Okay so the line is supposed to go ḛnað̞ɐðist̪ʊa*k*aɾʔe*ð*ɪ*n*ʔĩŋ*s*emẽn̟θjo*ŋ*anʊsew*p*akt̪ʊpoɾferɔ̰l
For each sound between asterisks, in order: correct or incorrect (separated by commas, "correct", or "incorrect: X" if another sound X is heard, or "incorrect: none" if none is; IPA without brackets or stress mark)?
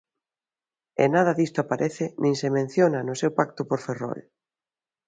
incorrect: p, incorrect: θ, correct, correct, incorrect: n, correct